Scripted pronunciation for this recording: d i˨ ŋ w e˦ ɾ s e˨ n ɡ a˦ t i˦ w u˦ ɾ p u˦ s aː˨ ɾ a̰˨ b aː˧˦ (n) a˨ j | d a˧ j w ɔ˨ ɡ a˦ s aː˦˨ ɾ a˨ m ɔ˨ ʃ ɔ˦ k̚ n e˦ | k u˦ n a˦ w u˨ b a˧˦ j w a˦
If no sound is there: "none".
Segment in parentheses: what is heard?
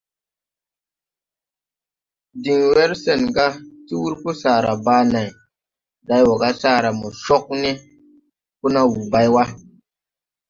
n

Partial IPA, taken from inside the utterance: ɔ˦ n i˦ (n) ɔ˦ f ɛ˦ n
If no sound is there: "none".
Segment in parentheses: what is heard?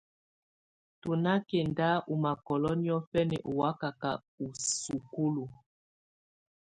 none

